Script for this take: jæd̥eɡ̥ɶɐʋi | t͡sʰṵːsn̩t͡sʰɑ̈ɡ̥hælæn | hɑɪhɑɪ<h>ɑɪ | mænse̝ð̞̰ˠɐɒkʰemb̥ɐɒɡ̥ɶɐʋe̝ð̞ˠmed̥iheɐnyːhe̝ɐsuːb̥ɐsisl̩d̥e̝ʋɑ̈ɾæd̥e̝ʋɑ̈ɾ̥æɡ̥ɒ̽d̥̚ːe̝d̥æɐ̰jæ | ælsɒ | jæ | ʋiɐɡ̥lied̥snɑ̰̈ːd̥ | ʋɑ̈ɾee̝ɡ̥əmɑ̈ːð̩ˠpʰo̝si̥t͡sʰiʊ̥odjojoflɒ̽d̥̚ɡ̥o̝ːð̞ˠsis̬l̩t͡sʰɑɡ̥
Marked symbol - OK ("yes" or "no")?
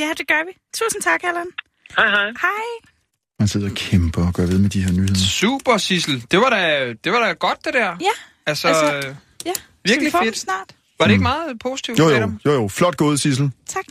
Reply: yes